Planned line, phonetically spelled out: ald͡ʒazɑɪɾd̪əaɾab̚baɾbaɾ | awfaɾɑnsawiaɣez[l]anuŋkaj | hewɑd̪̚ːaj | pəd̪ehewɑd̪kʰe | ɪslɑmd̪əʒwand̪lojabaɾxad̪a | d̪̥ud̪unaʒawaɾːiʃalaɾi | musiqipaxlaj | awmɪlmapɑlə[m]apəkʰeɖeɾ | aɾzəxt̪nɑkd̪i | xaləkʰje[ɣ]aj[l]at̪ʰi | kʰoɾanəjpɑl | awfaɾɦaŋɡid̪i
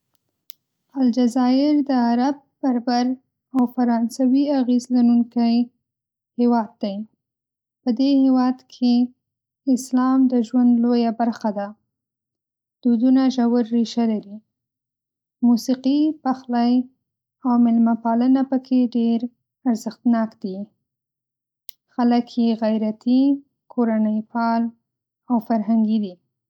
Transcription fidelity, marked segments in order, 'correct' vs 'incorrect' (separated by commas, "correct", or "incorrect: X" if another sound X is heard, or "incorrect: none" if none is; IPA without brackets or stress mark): correct, incorrect: n, correct, incorrect: ɾ